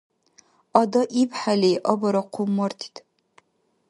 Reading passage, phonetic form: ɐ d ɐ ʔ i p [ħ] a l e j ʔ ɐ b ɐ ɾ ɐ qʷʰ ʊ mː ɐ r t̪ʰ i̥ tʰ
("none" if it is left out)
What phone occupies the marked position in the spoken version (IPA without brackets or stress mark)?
ħ